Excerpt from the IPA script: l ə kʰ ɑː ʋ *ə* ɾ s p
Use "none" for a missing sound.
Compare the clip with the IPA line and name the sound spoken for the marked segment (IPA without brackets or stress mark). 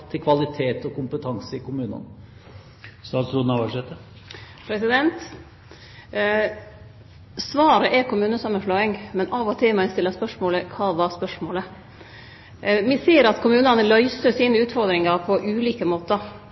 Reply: ɑ